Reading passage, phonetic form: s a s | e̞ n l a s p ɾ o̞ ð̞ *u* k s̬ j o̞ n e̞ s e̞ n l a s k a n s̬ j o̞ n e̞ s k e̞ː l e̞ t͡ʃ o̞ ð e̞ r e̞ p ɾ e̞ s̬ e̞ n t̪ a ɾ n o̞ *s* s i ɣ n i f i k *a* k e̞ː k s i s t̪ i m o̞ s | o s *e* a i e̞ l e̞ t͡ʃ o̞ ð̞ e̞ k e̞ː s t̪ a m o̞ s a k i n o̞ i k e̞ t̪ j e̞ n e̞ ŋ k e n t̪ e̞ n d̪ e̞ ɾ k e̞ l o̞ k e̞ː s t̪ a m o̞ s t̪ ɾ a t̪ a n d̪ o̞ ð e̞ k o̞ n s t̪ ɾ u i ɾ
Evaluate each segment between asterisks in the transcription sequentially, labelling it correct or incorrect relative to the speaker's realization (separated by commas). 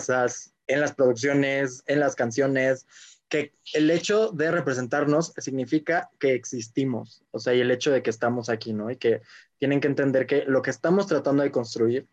correct, correct, correct, correct